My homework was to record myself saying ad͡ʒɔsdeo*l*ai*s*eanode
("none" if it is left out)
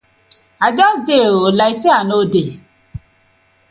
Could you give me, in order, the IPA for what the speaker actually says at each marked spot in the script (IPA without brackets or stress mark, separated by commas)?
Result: l, s